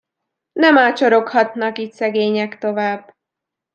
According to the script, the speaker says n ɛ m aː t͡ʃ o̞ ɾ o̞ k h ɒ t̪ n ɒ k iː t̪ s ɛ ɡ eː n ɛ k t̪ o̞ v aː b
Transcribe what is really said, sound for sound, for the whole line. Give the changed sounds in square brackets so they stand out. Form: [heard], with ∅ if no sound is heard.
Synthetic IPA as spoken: n ɛ m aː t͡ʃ o̞ ɾ o̞ k h ɒ t̪ n ɒ k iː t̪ s ɛ ɡ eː [ɲ] ɛ k t̪ o̞ v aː b